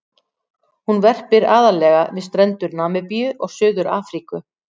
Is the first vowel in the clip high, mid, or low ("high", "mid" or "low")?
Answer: high